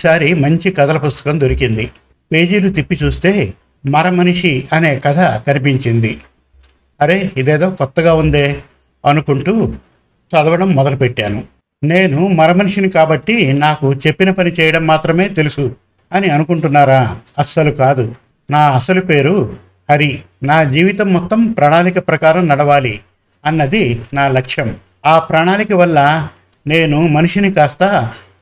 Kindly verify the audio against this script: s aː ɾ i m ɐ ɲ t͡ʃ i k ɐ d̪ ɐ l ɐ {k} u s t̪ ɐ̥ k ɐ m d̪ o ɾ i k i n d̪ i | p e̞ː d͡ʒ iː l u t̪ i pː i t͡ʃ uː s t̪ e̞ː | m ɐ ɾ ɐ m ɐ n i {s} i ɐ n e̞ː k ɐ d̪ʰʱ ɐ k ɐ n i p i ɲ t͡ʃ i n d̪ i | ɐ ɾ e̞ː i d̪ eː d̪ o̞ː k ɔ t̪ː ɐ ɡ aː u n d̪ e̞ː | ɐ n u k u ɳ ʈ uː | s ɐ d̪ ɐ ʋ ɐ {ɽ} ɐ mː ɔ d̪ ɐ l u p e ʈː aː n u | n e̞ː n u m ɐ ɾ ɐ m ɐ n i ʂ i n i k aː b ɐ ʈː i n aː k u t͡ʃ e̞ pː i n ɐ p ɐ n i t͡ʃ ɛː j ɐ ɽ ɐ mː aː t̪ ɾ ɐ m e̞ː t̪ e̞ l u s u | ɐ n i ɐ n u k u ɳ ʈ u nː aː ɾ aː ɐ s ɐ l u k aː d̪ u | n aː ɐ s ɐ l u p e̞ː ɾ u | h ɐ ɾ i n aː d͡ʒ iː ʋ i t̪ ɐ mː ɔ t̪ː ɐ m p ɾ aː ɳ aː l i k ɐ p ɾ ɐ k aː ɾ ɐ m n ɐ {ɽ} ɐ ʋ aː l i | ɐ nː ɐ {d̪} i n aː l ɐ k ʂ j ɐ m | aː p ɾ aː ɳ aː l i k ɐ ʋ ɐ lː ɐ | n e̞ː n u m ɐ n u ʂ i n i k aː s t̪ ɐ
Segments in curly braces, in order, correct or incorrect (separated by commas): incorrect, incorrect, correct, correct, correct